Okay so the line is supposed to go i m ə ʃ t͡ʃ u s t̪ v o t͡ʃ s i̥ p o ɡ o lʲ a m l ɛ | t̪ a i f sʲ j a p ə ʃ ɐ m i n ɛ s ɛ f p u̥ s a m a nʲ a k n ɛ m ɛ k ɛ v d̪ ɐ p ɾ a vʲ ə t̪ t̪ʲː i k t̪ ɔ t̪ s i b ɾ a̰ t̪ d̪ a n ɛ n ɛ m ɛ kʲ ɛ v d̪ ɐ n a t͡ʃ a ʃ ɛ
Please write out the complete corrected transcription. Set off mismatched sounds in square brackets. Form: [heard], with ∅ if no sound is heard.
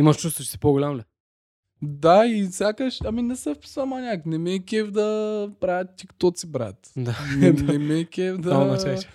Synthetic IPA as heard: i m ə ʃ t͡ʃ u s t̪ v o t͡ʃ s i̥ p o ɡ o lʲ a m l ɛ | [d̪] a i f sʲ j a [k] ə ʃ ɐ m i n ɛ s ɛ f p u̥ s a m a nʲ a k n ɛ m ɛ k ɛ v d̪ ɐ p ɾ a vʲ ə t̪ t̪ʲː i k t̪ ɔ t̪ s i b ɾ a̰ t̪ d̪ a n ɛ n ɛ m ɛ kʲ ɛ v d̪ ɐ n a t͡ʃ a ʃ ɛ